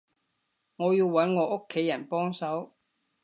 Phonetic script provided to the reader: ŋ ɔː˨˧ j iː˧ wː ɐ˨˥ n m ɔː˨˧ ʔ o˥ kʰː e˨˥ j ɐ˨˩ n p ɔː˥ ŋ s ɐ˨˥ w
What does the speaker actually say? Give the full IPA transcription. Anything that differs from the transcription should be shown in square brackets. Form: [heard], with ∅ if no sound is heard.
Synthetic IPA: ŋ ɔː˨˧ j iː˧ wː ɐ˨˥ n [ŋ] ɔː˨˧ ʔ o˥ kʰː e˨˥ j ɐ˨˩ n p ɔː˥ ŋ s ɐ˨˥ w